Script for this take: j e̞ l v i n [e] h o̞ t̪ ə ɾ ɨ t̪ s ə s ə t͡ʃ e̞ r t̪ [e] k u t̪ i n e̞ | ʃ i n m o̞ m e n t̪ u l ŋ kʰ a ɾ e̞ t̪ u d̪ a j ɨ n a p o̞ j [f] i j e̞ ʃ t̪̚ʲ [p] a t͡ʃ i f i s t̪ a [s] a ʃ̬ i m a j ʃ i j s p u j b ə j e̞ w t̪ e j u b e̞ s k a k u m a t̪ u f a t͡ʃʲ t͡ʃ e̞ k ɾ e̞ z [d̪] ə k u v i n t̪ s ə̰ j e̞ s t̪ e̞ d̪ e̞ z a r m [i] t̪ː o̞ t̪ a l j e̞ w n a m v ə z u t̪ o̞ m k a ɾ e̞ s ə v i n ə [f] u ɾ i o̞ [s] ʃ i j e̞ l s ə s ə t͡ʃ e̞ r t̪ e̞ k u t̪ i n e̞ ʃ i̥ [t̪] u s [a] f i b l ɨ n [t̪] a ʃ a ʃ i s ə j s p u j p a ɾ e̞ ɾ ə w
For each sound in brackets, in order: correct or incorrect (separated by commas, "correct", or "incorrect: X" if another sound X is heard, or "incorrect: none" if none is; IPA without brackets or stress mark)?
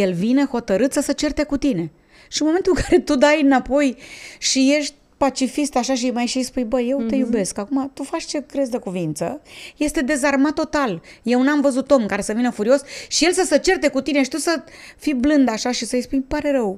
correct, correct, incorrect: ʃ, correct, incorrect: ʃ, correct, incorrect: a, correct, correct, correct, incorrect: ə, incorrect: d̪